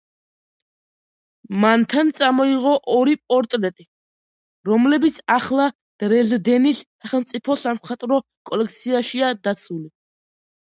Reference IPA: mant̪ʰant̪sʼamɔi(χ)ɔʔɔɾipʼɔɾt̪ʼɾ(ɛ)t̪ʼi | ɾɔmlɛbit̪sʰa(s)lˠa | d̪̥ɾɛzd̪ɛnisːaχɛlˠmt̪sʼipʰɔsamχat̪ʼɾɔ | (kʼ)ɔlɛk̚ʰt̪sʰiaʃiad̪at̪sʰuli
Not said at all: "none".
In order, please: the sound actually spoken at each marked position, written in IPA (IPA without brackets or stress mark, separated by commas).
ʁ, ɛ, χ, kʼ